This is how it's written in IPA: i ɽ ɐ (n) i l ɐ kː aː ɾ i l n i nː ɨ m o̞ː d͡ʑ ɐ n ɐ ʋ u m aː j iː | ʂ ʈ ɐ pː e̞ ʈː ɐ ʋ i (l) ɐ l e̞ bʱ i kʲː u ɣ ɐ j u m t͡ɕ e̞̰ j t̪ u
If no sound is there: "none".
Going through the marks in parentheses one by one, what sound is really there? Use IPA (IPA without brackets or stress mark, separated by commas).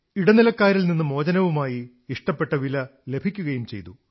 n, l